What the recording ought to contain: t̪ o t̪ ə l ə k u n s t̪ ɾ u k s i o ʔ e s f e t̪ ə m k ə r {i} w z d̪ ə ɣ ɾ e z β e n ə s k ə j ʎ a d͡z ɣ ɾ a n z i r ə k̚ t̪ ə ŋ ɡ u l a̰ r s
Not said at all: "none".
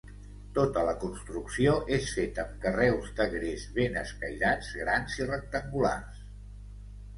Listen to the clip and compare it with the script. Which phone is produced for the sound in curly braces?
ɛ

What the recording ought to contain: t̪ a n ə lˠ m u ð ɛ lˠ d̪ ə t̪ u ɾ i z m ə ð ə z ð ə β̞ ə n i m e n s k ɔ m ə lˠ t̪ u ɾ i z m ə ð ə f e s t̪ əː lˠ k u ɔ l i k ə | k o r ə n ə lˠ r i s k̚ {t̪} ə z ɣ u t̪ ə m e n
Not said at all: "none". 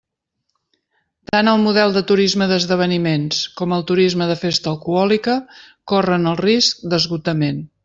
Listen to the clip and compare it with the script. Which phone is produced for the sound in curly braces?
d̪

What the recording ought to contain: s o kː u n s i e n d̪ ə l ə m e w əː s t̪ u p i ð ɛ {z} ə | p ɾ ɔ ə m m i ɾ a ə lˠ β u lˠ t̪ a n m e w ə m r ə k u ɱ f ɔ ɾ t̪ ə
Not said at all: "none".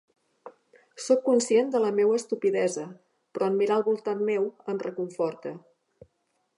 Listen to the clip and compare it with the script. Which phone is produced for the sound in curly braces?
z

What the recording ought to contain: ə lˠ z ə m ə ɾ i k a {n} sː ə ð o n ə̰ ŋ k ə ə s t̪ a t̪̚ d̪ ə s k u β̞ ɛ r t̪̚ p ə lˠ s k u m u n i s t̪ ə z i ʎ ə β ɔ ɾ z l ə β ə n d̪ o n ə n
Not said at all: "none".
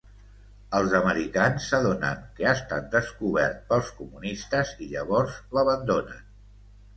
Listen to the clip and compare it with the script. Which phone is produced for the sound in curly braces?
n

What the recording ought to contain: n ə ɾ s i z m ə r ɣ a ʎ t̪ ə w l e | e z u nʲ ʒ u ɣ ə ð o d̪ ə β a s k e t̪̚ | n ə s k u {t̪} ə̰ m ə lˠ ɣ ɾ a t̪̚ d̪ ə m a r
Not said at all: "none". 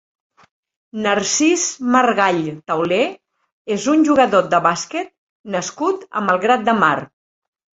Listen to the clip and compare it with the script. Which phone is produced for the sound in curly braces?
t̪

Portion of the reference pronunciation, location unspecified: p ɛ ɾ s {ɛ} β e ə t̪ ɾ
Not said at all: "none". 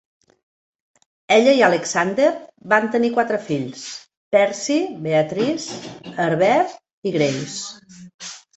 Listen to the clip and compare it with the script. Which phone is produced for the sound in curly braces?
i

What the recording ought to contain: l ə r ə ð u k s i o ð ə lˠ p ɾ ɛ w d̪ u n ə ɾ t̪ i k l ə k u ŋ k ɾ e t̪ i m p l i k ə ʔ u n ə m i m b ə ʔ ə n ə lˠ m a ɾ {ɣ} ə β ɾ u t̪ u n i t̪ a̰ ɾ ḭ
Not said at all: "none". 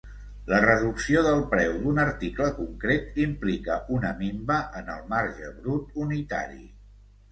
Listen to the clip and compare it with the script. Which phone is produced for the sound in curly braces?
ʒ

